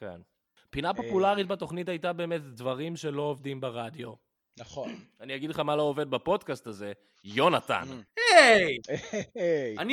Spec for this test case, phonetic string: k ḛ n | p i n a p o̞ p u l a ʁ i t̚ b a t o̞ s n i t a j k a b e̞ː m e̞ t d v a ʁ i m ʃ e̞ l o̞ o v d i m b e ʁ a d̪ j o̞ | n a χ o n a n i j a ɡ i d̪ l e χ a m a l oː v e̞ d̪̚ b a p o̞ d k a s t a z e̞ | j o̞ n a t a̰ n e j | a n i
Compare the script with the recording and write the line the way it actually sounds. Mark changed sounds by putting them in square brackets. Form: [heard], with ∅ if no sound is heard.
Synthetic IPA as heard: k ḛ n | p i n a p o̞ p u l a ʁ i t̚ b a t o̞ [χ] n i t a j [t] a b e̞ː m e̞ t d v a ʁ i m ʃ e̞ l o̞ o v d i m b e ʁ a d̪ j o̞ | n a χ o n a n i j a ɡ i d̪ l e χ a m a l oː v e̞ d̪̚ b a p o̞ d k a s t a z e̞ | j o̞ n a t a̰ n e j | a n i